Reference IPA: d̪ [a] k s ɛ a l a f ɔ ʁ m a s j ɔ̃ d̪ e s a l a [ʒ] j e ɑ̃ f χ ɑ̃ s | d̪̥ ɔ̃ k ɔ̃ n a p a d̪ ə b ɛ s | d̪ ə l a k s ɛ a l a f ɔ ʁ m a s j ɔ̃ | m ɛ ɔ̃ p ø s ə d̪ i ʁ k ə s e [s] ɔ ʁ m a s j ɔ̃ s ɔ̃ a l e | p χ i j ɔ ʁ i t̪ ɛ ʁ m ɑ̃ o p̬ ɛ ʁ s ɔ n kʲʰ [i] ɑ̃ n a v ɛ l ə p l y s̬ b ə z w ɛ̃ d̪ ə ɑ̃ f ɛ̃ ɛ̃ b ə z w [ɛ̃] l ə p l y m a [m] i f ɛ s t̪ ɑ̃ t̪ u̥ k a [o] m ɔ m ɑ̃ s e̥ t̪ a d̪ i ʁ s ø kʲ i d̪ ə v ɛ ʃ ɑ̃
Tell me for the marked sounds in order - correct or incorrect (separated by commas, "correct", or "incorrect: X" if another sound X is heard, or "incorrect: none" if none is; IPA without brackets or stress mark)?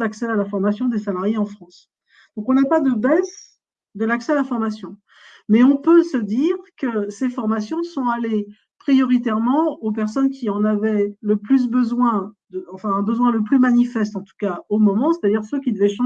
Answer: correct, incorrect: ʁ, incorrect: f, correct, correct, incorrect: n, correct